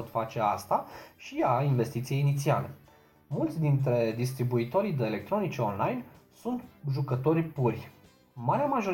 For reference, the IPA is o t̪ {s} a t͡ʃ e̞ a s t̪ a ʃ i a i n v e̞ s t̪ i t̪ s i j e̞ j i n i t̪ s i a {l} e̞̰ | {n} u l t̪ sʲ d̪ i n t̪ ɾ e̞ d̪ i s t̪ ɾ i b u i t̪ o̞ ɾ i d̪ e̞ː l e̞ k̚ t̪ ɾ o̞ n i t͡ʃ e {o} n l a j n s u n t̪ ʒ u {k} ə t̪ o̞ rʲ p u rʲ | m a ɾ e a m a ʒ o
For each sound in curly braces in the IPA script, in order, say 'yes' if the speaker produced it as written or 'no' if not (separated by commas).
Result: no, yes, no, yes, yes